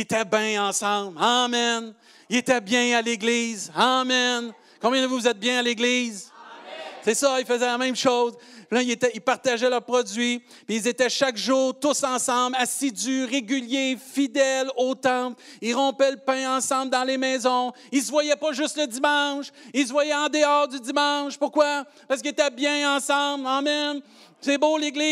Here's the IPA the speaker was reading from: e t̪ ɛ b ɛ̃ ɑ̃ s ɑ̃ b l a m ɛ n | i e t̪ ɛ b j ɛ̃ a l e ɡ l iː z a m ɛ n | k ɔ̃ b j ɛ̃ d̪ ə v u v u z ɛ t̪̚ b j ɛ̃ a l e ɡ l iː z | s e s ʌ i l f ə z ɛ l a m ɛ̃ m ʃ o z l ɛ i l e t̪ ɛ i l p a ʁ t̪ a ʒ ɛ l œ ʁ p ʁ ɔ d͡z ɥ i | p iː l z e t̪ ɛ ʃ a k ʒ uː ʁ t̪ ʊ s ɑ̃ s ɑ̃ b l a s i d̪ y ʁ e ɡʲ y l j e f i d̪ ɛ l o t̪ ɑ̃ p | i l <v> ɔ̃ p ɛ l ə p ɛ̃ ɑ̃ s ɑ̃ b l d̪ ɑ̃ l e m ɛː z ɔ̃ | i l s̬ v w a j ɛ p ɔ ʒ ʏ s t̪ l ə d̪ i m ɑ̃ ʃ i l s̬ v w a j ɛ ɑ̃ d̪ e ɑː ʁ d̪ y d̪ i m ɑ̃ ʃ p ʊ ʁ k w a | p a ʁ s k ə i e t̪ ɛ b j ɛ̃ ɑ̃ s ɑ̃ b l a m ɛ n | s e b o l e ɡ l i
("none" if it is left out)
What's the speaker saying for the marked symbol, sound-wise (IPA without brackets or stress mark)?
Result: ʁ